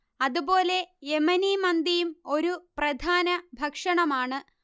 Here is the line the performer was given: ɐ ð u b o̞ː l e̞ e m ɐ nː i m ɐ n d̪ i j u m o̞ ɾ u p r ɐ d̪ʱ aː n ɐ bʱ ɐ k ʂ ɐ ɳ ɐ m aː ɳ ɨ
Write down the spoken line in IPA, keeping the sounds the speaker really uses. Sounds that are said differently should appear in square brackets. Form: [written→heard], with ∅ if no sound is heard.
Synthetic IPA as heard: ɐ ð u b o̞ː l e̞ e m ɐ [nː→n] i m ɐ n d̪ i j u m o̞ ɾ u p r ɐ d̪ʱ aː n ɐ bʱ ɐ k ʂ ɐ ɳ ɐ m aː ɳ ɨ